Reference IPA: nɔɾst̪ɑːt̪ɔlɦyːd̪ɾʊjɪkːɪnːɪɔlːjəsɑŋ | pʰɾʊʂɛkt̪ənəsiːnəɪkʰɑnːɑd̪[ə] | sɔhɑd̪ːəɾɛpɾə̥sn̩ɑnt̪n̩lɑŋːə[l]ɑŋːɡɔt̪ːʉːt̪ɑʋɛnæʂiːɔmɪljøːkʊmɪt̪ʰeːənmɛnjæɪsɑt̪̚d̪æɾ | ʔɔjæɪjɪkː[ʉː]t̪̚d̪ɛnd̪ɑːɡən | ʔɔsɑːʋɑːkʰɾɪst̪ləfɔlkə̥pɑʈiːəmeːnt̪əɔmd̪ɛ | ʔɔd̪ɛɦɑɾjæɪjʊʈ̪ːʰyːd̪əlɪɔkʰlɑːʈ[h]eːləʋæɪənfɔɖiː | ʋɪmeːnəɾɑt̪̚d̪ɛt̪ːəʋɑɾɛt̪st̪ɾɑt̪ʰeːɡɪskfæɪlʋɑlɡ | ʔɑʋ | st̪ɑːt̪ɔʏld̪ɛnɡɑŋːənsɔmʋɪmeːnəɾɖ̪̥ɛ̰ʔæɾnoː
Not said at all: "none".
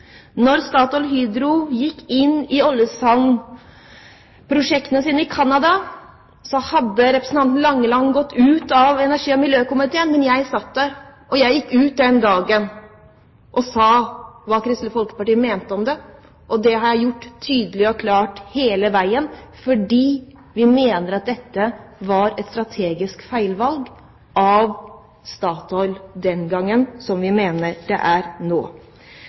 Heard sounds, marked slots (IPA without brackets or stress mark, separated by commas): ɑ, l, ʉː, h